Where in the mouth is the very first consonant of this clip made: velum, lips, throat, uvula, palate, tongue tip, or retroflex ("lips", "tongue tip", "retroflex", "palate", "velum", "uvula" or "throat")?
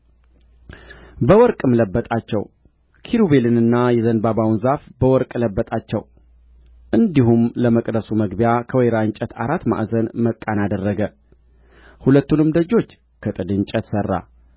lips